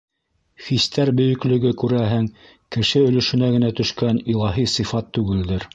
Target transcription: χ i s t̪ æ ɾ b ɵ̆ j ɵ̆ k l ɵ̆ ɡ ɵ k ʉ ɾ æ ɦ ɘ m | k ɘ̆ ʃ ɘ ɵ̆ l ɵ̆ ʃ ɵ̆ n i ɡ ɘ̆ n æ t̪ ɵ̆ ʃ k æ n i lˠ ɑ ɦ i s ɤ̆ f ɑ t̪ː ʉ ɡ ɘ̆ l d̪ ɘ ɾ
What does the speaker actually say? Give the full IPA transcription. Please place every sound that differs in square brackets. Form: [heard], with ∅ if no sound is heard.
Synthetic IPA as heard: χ i s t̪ æ ɾ b ɵ̆ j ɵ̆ k l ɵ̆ ɡ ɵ k ʉ ɾ æ ɦ ɘ [ŋ] | k ɘ̆ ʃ ɘ ɵ̆ l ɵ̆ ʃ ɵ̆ n [æ] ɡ ɘ̆ n æ t̪ ɵ̆ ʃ k æ n i lˠ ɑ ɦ i s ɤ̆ f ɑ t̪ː ʉ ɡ ɘ̆ l d̪ ɘ ɾ